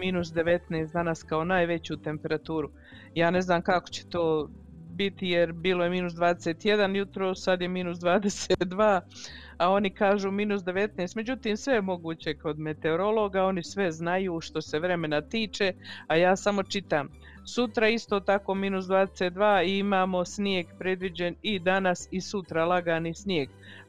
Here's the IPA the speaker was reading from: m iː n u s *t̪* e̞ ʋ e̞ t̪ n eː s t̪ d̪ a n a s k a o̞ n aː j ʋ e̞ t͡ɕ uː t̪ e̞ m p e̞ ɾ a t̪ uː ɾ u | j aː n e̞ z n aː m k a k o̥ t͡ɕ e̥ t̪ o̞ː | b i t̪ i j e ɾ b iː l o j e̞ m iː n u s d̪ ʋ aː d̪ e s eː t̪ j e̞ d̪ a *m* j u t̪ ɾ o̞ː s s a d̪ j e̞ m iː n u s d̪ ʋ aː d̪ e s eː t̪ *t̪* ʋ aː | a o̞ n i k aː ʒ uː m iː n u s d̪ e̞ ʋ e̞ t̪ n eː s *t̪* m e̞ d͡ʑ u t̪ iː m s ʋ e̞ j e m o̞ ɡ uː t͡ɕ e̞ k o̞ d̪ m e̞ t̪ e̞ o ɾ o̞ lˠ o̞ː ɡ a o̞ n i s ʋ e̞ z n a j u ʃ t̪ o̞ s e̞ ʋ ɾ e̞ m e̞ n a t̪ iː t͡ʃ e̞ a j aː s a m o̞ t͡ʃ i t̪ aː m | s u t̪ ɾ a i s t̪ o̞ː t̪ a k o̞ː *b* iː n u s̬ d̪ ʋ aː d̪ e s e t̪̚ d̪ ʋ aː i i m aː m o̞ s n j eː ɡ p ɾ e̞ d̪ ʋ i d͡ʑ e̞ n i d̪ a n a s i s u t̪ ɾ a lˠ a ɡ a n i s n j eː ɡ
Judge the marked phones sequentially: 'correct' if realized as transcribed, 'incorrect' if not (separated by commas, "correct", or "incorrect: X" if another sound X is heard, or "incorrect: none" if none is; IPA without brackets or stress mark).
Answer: incorrect: d̪, incorrect: n, incorrect: d̪, correct, incorrect: m